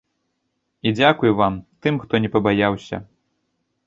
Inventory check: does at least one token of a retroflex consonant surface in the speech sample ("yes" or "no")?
no